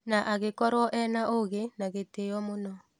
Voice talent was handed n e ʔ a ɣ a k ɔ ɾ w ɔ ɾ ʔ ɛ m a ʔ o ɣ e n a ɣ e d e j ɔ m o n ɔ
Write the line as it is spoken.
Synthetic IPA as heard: n a ʔ a ɣ e k ɔ ɾ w ɔ ʔ ɛ n a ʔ o ɣ e n a ɣ e t e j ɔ m o n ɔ